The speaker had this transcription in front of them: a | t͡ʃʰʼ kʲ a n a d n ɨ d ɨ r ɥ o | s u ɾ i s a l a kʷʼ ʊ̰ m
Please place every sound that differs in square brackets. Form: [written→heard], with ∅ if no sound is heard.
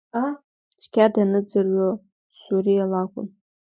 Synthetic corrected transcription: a | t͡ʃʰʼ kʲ a [n→d] a [d→∅] n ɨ [d→d͡z] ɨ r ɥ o | s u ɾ i [s→∅] a l a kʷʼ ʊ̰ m